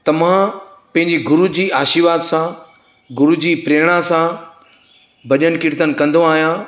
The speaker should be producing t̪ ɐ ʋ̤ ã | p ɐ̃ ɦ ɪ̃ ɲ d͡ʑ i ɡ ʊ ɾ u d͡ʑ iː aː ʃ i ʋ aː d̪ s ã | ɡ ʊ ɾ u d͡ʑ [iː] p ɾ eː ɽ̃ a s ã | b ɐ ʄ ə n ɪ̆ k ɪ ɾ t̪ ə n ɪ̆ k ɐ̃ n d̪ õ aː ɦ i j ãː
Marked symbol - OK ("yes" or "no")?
yes